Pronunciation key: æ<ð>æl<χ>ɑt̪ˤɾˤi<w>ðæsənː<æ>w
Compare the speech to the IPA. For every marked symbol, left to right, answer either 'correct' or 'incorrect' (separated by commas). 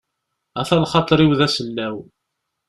incorrect, correct, correct, correct